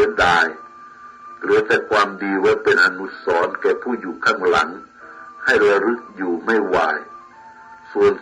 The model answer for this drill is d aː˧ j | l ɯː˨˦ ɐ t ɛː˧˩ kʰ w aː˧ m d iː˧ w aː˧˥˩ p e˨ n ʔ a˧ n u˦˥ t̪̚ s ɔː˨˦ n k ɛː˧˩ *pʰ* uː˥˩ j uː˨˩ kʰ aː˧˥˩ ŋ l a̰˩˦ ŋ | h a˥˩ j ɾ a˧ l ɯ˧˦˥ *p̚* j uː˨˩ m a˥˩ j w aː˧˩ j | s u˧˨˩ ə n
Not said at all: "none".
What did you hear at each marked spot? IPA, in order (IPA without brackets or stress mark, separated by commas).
pʰ, k̚